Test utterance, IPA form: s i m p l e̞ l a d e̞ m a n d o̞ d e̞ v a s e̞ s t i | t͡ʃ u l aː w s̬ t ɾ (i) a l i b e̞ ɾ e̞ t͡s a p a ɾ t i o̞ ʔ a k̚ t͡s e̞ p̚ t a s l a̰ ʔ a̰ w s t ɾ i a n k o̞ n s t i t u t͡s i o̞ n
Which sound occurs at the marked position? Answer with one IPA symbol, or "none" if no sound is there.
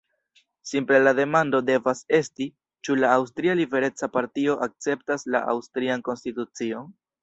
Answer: i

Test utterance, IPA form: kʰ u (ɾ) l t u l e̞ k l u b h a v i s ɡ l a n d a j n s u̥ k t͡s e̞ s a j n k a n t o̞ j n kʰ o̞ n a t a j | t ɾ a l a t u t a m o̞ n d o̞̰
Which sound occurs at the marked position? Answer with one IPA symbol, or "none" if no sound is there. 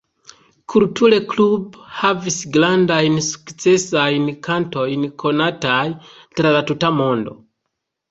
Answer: none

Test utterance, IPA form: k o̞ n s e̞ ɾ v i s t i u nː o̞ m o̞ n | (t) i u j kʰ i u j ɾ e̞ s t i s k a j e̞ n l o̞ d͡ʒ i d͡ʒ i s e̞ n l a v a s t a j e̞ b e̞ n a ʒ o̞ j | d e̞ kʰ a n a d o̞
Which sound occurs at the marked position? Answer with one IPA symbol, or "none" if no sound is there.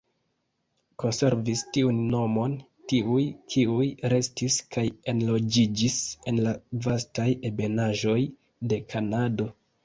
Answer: t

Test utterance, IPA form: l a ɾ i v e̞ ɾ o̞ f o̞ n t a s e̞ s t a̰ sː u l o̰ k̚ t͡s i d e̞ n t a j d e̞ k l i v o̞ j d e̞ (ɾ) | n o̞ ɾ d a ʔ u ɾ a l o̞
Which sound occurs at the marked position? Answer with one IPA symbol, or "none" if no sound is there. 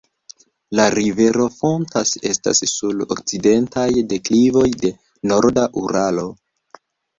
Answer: none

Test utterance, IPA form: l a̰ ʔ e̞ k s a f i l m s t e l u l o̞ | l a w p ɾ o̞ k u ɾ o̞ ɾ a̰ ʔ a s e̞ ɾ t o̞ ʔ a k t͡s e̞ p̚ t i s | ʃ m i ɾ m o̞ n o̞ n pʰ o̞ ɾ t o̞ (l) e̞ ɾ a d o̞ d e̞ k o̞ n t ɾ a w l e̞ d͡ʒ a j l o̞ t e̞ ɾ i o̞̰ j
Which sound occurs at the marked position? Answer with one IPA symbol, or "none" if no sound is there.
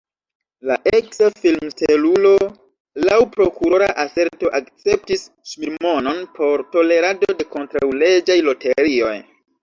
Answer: l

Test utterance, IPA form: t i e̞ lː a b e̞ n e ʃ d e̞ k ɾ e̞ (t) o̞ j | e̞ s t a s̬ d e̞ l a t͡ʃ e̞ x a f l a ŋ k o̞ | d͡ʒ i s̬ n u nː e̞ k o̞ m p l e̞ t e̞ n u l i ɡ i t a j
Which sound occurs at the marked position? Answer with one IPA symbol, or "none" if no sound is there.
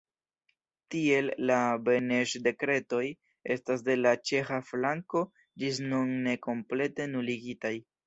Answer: t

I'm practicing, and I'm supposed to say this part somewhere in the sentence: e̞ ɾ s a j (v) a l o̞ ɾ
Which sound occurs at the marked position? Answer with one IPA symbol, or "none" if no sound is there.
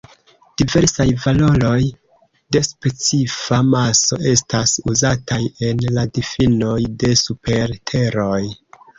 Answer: v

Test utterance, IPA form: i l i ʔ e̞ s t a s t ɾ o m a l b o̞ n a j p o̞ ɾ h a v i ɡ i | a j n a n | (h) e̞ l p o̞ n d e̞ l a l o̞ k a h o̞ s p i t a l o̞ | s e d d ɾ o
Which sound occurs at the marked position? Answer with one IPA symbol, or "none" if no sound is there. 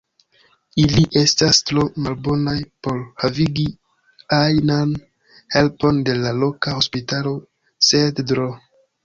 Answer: h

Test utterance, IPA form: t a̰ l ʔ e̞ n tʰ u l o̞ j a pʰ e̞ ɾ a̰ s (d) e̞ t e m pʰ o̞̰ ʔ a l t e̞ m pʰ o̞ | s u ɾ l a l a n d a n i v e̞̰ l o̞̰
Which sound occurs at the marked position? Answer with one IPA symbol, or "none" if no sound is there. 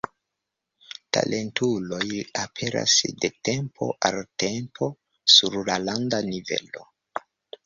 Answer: d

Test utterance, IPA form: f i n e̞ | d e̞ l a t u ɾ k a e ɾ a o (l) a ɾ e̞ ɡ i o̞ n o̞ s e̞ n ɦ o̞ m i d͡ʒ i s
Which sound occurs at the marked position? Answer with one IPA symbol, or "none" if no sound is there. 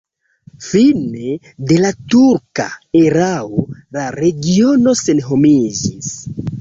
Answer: l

